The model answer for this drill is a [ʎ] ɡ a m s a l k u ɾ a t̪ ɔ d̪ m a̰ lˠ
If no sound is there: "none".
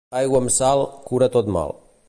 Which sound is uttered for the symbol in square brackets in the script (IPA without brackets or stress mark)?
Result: j